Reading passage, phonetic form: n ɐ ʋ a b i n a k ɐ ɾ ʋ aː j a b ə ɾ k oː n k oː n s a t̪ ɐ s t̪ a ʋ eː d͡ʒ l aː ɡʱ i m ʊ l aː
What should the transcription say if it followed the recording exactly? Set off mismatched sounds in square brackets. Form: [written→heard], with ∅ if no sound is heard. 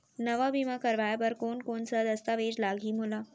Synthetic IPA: n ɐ ʋ a b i [n→m] a k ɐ ɾ ʋ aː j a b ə ɾ k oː n k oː n s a [t̪→d̪] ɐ s t̪ a ʋ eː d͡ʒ l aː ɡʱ i m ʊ l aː